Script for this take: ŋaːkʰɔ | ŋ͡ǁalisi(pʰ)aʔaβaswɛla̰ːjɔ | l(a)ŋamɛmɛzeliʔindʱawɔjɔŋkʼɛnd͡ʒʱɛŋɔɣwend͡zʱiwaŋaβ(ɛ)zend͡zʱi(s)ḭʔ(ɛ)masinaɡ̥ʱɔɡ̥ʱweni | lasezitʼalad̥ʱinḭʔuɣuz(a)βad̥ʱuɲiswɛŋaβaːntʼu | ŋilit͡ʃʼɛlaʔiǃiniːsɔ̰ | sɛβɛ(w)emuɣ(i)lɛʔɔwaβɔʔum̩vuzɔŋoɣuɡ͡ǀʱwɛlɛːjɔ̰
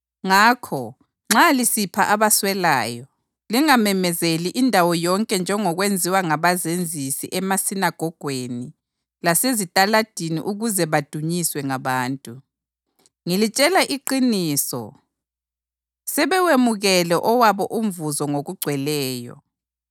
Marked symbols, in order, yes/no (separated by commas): yes, no, no, yes, yes, no, yes, no